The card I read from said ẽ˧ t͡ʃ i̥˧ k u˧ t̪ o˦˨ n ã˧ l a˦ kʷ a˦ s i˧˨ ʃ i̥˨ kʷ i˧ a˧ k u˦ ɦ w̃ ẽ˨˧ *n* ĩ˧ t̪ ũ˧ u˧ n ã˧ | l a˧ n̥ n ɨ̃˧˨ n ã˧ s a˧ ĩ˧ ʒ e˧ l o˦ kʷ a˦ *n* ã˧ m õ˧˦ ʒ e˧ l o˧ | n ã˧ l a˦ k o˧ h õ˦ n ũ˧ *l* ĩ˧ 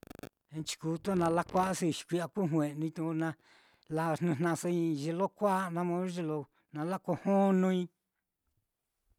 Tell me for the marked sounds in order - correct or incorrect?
correct, correct, incorrect: none

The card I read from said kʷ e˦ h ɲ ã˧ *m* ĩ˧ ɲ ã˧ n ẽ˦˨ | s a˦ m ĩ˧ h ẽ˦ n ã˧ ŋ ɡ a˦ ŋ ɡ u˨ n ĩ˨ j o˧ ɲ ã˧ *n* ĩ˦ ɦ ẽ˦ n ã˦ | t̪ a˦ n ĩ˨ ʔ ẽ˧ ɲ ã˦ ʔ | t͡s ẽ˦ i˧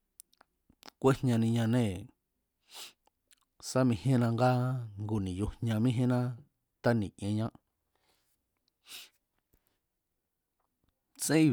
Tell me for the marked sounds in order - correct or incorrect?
incorrect: n, incorrect: m

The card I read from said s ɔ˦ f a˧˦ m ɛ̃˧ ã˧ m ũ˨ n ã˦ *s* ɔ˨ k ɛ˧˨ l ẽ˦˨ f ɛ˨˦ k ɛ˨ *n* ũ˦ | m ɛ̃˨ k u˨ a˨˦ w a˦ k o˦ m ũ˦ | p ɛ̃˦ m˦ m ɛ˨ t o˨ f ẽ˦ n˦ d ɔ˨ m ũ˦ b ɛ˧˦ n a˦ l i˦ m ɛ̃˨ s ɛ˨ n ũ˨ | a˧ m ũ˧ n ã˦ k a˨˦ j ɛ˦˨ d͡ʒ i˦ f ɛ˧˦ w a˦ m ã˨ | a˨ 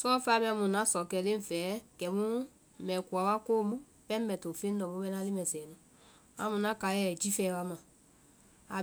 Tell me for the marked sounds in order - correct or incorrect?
correct, incorrect: m

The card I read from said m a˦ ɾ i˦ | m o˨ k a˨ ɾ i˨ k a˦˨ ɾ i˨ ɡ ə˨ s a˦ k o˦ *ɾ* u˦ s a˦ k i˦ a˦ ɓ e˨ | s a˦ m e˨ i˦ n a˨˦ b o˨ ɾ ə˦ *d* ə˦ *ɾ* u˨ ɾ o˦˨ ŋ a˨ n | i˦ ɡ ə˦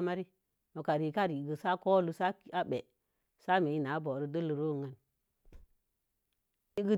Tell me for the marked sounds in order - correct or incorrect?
incorrect: l, correct, incorrect: l

